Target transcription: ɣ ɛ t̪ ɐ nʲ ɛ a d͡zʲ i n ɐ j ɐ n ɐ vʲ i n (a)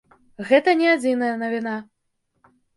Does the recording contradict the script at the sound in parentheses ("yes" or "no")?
no